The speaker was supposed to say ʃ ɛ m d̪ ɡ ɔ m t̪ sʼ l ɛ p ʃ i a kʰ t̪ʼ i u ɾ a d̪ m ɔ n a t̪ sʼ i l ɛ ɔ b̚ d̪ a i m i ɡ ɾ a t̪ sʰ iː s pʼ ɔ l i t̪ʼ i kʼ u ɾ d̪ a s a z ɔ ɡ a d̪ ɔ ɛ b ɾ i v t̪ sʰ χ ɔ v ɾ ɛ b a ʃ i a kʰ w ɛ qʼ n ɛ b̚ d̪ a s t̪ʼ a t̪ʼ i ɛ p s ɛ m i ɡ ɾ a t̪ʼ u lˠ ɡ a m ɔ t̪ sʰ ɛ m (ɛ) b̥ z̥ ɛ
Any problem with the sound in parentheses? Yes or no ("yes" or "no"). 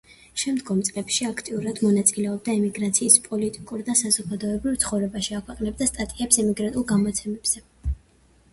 no